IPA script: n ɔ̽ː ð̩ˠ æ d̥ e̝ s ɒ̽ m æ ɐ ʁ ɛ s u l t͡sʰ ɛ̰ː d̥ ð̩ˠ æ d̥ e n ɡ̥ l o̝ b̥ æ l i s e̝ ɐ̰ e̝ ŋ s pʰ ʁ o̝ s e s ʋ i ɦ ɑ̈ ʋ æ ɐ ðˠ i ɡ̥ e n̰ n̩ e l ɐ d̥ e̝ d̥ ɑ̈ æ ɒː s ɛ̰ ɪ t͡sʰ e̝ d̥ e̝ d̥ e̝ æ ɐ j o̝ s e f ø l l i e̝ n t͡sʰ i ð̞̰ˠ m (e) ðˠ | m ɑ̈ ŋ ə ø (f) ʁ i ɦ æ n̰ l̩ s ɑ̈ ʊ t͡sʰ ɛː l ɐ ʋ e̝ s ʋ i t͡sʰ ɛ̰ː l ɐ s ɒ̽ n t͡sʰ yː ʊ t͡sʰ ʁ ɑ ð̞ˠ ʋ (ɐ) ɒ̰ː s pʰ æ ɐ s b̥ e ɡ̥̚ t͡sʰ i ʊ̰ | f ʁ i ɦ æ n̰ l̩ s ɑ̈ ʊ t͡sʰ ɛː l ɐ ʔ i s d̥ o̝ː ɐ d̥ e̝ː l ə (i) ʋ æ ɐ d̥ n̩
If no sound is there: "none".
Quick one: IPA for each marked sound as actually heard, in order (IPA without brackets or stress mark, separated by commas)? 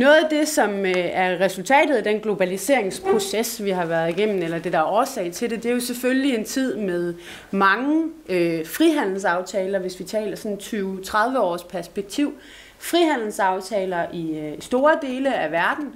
e, f, ə, æ